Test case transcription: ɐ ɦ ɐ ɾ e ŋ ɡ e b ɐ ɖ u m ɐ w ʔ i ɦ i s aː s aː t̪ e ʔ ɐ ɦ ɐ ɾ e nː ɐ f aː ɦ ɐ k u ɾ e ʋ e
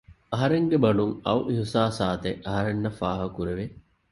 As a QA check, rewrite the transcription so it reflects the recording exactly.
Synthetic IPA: ɐ ɦ ɐ ɾ e ŋ ɡ e b ɐ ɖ u ŋ ɐ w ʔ i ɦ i s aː s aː t̪ e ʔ ɐ ɦ ɐ ɾ e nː ɐ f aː ɦ ɐ k u ɾ e ʋ e